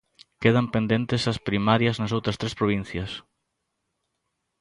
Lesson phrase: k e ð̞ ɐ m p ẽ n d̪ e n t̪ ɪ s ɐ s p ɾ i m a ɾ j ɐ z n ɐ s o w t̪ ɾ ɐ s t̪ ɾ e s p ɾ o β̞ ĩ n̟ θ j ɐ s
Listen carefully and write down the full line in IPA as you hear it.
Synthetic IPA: k e ð̞ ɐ m p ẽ n d̪ e n t̪ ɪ s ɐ s p ɾ i m a ɾ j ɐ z n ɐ s o w t̪ ɾ ɐ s t̪ ɾ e s p ɾ o β̞ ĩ n̟ θ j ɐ s